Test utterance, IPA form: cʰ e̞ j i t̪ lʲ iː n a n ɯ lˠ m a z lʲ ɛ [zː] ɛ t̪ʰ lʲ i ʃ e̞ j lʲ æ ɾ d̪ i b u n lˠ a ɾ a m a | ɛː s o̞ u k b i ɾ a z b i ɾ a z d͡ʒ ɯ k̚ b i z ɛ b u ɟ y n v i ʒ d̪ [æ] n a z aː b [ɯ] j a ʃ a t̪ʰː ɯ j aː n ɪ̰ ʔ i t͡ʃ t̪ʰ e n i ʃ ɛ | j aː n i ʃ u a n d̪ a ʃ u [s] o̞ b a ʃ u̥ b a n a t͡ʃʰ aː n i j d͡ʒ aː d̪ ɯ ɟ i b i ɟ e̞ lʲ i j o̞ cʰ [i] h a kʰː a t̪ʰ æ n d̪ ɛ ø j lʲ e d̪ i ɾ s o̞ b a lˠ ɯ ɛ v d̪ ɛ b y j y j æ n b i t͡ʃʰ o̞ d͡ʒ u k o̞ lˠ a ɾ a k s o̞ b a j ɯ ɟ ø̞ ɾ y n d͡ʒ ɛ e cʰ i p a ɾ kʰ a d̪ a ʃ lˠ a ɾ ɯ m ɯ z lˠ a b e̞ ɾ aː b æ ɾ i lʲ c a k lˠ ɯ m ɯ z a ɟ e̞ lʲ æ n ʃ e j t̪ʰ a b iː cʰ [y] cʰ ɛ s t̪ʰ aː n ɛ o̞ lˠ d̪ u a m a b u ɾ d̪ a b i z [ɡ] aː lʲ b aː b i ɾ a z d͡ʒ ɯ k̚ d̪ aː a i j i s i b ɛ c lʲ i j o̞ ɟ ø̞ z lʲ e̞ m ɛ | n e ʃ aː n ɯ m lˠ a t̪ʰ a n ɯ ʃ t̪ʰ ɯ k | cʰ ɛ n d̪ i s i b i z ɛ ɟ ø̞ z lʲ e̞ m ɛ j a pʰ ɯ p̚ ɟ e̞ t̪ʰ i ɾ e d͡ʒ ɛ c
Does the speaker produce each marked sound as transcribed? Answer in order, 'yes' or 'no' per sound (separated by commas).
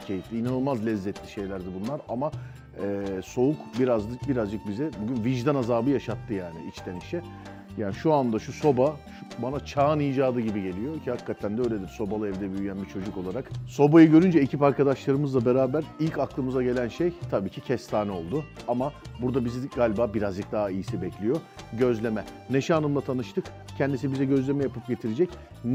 yes, no, yes, yes, yes, no, yes